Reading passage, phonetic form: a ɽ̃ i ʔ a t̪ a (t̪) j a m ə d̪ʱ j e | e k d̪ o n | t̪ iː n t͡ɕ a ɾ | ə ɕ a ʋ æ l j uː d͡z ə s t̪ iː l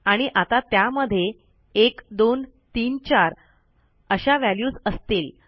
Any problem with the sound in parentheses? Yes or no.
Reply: no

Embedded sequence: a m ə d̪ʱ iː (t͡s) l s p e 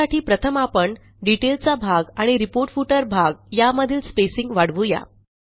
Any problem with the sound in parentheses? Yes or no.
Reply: yes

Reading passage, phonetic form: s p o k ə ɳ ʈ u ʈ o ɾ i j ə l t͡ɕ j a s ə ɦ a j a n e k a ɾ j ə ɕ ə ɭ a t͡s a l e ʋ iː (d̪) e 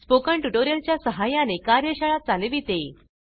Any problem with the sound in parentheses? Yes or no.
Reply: yes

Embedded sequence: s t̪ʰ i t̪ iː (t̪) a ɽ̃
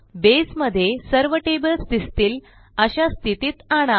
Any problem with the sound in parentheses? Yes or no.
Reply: no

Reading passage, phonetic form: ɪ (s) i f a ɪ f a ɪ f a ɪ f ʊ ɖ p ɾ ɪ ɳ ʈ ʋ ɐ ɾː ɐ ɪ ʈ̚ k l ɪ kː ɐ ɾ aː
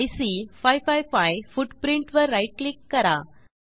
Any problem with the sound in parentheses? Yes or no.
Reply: no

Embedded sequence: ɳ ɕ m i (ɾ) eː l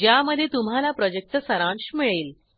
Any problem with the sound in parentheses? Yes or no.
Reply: yes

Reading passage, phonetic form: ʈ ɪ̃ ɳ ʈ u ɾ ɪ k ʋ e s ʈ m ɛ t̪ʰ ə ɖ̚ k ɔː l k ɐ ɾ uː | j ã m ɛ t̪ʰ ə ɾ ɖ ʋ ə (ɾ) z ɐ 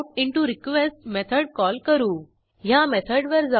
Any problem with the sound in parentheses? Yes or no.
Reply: no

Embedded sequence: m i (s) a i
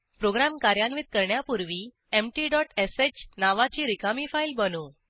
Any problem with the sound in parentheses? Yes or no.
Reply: yes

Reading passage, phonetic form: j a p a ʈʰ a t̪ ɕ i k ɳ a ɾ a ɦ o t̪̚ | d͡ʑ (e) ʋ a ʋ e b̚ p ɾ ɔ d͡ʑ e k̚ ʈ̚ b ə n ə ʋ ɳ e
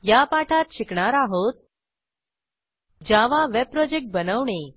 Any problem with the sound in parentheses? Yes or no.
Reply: yes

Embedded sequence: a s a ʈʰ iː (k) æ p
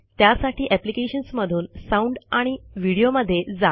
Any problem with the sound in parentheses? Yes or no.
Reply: yes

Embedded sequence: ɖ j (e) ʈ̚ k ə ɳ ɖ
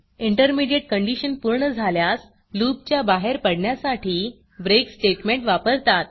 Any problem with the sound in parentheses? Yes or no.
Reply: no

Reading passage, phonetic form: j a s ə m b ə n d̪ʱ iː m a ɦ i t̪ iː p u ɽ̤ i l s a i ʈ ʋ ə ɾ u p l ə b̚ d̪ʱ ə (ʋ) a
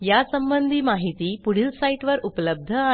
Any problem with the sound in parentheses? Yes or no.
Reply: yes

